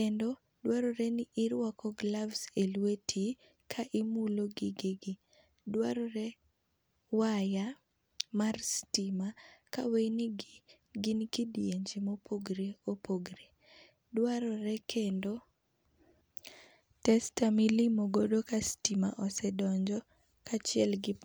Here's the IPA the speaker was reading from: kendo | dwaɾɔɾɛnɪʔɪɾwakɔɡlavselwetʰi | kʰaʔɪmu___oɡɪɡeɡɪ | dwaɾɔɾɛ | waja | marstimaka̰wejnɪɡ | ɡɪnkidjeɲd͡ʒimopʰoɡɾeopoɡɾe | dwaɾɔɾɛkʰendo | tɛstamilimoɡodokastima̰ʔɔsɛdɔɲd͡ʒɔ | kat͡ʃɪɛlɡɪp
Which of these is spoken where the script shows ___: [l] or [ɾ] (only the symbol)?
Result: l